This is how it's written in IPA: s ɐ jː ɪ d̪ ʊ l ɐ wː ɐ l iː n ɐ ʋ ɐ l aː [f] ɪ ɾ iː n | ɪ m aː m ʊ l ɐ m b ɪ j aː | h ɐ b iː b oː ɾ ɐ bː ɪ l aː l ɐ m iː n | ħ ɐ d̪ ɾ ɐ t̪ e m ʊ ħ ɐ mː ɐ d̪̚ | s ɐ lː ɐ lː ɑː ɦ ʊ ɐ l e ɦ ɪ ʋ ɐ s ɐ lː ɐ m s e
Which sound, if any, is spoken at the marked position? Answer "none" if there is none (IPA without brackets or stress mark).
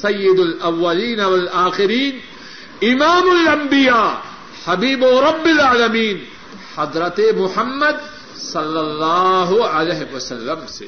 x